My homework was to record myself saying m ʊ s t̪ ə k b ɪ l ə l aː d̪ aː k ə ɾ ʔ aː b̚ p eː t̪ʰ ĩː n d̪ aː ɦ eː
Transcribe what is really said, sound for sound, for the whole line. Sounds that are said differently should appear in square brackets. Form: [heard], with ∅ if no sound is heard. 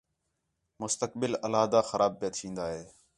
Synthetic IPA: m ʊ s t̪ ə k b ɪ l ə l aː d̪ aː [x] ə ɾ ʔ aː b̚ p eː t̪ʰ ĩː n d̪ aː ɦ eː

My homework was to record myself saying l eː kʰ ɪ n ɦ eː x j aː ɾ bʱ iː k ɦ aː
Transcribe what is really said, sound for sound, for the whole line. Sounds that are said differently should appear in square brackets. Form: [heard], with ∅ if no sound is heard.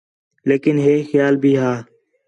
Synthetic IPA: l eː [k] ɪ n ɦ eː x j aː [l] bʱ iː [∅] ɦ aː

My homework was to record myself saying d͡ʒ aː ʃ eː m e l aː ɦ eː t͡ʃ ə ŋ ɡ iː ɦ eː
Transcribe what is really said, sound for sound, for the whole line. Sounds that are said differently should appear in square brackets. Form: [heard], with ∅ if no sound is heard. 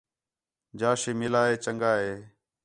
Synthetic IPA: d͡ʒ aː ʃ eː m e l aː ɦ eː t͡ʃ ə ŋ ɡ [aː] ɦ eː

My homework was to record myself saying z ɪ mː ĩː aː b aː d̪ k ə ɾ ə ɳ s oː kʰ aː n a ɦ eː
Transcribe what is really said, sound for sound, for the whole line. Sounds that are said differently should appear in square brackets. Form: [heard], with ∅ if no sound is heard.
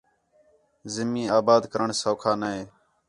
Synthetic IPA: z ɪ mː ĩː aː b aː d̪ k ə ɾ ə ɳ s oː kʰ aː n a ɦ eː

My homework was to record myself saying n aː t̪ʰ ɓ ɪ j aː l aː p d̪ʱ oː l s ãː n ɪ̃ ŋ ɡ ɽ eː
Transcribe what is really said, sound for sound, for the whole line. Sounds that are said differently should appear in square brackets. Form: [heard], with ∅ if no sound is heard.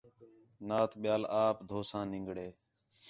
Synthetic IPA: n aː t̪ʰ ɓ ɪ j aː l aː p d̪ʱ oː [∅] s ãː n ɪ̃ ŋ ɡ ɽ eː

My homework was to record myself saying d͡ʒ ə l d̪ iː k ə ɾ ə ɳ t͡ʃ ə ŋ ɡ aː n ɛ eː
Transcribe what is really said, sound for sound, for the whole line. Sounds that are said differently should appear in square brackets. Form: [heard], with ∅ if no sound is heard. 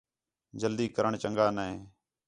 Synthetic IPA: d͡ʒ ə l d̪ iː k ə ɾ ə ɳ t͡ʃ ə ŋ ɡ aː n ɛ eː

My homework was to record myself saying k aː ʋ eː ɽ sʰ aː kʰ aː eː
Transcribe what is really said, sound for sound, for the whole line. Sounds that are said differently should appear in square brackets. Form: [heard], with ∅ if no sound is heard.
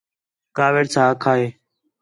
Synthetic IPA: k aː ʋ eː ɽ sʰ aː kʰ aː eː

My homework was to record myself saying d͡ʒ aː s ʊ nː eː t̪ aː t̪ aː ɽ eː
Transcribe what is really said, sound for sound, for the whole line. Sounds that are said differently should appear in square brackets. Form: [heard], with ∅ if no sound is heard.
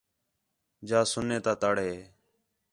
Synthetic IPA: d͡ʒ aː s ʊ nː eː t̪ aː t̪ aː ɽ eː

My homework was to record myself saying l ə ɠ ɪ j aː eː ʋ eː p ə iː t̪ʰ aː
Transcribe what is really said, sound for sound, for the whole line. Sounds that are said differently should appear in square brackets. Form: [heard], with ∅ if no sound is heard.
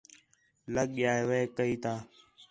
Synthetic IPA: l ə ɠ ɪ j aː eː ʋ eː [k] ə iː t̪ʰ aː

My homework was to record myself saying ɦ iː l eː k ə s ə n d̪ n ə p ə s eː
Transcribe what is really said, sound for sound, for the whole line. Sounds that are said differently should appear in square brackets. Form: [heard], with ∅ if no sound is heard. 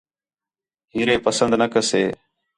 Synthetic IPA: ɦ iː [ɾ] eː [p] ə s ə n d̪ n ə [k] ə s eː

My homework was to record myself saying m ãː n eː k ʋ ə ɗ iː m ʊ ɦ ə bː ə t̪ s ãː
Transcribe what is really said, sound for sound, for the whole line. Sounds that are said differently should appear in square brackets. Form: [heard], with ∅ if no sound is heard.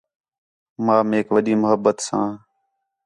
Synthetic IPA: m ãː [m] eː k ʋ ə ɗ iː m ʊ ɦ ə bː ə t̪ s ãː

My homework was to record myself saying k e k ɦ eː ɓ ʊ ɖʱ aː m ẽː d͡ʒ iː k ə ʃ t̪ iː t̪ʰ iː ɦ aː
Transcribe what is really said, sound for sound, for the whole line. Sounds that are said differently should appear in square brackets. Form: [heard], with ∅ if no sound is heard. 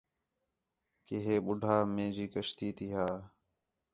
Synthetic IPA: k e [∅] ɦ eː ɓ ʊ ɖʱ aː m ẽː d͡ʒ iː k ə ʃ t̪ iː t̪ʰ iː ɦ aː

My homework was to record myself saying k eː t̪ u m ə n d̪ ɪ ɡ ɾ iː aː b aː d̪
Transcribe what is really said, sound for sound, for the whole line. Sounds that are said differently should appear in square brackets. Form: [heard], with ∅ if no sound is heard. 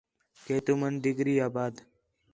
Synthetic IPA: k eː t̪ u m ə n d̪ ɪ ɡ ɾ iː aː b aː d̪

